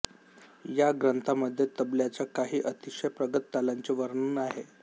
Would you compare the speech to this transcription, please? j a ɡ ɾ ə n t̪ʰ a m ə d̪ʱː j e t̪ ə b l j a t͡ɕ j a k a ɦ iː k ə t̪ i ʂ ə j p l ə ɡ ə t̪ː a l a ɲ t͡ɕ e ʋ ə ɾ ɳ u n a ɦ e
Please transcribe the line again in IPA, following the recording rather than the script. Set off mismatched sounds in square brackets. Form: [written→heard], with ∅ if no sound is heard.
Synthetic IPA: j a ɡ ɾ ə n t̪ʰ a m ə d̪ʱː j e t̪ ə b l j a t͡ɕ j a k a ɦ iː [k→ʔ] ə t̪ i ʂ ə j p [l→ɾ] ə ɡ ə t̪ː a l a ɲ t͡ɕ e ʋ ə ɾ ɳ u n a ɦ e